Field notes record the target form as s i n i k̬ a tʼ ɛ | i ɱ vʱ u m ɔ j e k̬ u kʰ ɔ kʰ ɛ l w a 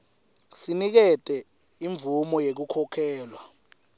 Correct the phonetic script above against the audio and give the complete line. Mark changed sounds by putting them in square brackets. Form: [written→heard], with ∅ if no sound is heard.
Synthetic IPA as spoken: s i n i k̬ [a→ɛ] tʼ ɛ | i ɱ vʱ u m ɔ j e k̬ u kʰ ɔ kʰ [ɛ→ɛː] l w a